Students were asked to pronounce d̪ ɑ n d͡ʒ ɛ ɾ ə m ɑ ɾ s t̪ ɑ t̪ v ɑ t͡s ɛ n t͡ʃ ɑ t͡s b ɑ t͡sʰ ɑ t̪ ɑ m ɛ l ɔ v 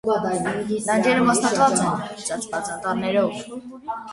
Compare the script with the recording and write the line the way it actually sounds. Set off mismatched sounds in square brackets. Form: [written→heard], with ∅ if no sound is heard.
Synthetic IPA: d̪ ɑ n d͡ʒ ɛ ɾ ə m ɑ [ɾ→∅] s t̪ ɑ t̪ v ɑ t͡s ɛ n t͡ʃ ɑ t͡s b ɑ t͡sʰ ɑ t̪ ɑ [m→n] ɛ [l→ɾ] ɔ v